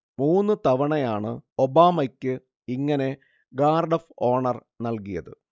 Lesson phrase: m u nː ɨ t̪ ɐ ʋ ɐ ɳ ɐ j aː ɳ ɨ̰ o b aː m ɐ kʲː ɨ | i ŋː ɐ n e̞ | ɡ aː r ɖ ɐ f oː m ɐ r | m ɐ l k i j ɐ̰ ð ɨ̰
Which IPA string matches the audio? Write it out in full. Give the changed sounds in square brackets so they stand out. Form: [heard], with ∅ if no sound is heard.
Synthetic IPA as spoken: m [uː] nː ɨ t̪ ɐ ʋ ɐ ɳ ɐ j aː ɳ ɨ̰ o b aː m ɐ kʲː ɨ | i ŋː ɐ n e̞ | ɡ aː r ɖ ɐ f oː [ɳ] ɐ r | [n] ɐ l k i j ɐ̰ ð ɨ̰